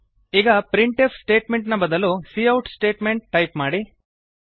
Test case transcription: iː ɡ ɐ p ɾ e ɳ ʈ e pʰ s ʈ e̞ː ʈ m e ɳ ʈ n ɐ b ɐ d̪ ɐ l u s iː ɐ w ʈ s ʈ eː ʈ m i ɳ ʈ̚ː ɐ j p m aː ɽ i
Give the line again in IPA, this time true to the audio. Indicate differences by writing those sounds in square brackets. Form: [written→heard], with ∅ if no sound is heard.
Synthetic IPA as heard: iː ɡ ɐ p ɾ [e→i] ɳ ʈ e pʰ s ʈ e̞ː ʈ m e ɳ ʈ n ɐ b ɐ d̪ ɐ l u s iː ɐ w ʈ s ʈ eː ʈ m [i→e] ɳ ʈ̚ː ɐ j p m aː ɽ i